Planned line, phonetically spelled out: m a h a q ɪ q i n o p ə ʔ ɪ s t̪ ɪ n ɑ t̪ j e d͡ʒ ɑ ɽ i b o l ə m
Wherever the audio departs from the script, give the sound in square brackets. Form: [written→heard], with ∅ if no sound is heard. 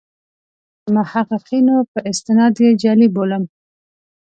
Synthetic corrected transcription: m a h a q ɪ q i n o p ə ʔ ɪ s t̪ ɪ n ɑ [t̪→d̪] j e d͡ʒ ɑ [ɽ→l] i b o l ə m